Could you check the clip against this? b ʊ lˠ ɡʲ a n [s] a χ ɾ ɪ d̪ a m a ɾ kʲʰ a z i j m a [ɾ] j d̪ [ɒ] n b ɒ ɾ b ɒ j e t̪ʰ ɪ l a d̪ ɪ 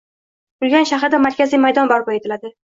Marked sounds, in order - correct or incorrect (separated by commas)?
incorrect, incorrect, correct